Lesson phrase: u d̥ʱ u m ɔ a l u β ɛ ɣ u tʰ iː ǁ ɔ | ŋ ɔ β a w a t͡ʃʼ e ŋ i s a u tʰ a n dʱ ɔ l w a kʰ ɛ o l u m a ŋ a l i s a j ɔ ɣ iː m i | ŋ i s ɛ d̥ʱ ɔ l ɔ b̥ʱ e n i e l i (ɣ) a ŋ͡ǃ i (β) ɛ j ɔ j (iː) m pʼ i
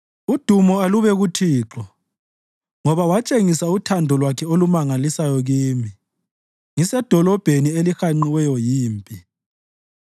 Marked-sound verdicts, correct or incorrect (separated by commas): incorrect, incorrect, correct